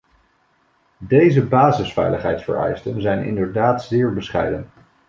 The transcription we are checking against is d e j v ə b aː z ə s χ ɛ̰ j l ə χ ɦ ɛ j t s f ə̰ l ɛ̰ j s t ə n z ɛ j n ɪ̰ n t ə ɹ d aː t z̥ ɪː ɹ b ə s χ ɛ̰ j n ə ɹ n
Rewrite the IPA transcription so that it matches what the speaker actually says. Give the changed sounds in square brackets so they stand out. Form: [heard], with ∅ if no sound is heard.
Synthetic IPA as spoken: d e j [z] ə b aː z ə s [f] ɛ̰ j l ə χ ɦ ɛ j t s f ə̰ [ɹ] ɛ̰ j s t ə n z ɛ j n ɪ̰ n [d] ə ɹ d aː t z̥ ɪː ɹ b ə s χ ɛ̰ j [d] ə [∅] n